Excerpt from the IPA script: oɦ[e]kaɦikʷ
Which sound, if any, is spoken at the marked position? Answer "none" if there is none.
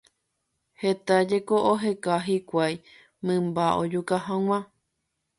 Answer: e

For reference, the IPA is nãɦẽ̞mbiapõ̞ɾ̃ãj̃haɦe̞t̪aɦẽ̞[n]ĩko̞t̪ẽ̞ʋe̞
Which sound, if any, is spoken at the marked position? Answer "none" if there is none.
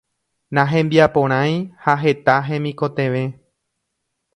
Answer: m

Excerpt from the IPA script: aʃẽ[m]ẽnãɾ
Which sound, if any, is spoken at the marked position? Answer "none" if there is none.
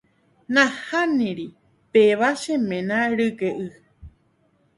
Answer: m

